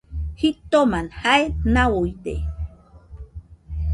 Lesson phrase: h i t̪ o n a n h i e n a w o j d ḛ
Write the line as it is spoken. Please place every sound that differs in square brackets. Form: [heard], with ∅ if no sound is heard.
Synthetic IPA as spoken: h i t̪ o [m] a n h [a] e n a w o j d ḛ